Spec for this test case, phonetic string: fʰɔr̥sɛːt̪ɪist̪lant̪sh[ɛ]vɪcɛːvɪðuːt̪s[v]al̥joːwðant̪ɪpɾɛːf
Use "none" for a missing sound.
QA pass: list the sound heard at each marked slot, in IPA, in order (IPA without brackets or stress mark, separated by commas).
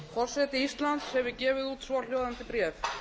ɛ, v